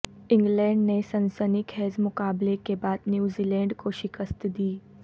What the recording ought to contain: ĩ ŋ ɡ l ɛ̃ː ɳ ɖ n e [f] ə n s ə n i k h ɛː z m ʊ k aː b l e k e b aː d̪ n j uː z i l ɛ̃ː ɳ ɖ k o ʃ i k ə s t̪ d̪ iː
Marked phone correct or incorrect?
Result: incorrect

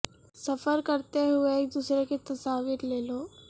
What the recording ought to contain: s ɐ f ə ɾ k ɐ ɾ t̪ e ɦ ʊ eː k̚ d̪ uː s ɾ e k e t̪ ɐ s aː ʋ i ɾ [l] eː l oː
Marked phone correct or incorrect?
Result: correct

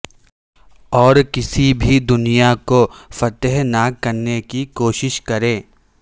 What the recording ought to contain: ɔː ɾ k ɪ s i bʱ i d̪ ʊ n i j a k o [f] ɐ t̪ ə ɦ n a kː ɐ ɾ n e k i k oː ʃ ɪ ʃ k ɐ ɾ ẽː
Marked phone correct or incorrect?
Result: correct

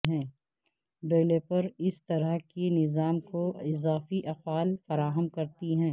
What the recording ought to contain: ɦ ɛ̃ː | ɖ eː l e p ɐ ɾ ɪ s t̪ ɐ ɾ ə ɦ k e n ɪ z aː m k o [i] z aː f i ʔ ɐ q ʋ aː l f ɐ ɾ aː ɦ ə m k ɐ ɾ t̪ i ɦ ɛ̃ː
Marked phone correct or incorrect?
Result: incorrect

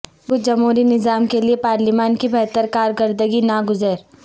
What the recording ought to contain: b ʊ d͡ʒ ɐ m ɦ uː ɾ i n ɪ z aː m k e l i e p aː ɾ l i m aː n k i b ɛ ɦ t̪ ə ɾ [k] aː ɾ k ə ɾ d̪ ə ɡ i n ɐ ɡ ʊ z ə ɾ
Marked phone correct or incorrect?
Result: correct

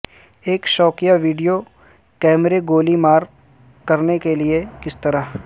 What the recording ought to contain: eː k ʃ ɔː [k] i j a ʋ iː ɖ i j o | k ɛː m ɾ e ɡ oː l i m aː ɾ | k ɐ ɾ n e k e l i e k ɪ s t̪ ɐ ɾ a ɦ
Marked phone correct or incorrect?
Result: correct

